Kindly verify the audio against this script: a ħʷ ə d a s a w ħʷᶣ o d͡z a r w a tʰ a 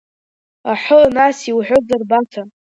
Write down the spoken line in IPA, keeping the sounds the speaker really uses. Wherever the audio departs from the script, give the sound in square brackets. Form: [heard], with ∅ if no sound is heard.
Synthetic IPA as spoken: a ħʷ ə [n] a s [i] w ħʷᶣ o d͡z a r [b] a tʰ a